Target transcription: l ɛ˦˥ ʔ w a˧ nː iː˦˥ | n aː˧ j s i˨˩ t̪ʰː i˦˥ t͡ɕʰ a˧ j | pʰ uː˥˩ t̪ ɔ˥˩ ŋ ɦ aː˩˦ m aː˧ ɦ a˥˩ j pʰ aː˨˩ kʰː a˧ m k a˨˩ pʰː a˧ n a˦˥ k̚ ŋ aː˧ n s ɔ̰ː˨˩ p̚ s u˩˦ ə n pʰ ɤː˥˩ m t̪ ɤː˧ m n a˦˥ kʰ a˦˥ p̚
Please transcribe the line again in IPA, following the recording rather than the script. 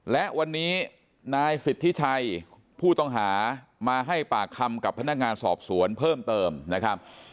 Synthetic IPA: l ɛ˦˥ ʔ w a˧ nː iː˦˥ | n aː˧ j s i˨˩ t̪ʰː i˦˥ t͡ɕʰ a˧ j | pʰ uː˥˩ t̪ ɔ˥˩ ŋ ɦ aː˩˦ m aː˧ ɦ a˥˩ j p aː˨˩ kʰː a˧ m k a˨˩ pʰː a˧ n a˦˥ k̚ ŋ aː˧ n s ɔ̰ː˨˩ p̚ s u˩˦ ə n pʰ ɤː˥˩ m t̪ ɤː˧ m n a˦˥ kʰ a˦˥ p̚